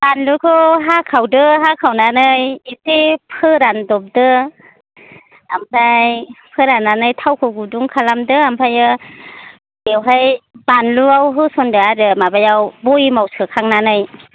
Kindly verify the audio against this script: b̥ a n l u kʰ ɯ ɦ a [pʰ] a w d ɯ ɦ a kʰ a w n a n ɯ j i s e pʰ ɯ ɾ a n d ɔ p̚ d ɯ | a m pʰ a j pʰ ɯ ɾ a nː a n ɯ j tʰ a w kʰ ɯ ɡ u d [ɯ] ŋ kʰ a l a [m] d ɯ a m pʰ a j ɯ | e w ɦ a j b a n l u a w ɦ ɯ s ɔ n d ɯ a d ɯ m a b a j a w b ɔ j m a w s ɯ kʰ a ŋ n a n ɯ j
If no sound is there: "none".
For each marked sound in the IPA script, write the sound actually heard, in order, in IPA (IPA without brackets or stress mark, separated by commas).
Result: kʰ, u, m